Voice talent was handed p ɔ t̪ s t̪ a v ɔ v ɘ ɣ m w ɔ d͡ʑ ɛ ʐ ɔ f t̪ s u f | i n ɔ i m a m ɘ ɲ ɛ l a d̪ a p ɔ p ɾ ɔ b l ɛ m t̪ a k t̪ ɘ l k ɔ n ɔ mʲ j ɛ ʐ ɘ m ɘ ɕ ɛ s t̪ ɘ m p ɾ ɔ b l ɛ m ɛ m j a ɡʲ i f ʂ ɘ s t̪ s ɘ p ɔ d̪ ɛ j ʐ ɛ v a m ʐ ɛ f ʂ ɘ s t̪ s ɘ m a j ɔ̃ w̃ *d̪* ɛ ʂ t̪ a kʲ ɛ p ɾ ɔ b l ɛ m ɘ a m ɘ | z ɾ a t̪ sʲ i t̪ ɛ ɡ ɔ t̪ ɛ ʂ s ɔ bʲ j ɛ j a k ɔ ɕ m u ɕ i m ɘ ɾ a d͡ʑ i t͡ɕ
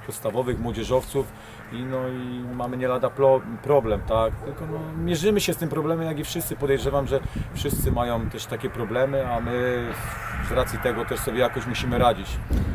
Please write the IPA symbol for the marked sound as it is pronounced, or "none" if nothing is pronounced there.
t̪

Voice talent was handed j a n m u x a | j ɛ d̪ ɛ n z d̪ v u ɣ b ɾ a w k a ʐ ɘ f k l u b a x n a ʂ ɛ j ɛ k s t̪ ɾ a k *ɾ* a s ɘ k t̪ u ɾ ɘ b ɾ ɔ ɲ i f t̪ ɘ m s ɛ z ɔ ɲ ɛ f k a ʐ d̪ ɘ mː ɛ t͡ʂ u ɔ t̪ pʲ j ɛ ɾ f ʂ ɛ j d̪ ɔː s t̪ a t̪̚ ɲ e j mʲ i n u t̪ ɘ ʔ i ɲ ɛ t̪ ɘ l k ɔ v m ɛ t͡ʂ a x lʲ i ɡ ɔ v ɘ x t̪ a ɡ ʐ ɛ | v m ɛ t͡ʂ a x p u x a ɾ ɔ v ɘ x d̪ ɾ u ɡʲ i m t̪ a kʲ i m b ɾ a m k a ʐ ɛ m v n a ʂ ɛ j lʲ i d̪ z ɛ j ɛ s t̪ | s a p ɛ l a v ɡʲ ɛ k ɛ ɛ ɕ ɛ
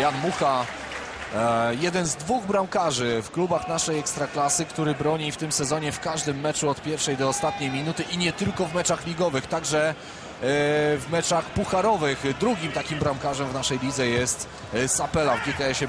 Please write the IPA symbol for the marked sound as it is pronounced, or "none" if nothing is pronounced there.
l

